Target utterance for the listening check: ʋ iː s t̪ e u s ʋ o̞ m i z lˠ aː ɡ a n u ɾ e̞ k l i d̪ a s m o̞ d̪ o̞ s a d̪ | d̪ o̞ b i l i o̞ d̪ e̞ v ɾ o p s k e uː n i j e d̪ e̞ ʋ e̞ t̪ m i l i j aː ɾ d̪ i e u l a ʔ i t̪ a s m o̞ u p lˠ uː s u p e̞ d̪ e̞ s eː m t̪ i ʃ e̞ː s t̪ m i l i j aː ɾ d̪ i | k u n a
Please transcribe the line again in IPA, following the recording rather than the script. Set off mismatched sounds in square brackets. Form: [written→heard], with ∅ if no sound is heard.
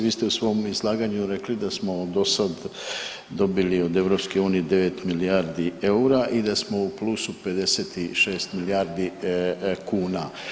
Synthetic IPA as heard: ʋ iː s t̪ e u s ʋ o̞ m i z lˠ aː ɡ a [n→ɲ] u ɾ e̞ k l i d̪ a s m o̞ d̪ o̞ s a d̪ | d̪ o̞ b i l i o̞ d̪ e̞ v ɾ o p s k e uː n i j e d̪ e̞ ʋ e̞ t̪ m i l i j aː ɾ d̪ i e u [l→ɾ] a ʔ i [t̪→d̪] a s m o̞ u p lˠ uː s u p e̞ d̪ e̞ s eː [m→∅] t̪ i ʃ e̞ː s t̪ m i l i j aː ɾ d̪ i | k [u→uː] n a